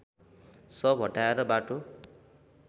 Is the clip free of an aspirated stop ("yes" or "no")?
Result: yes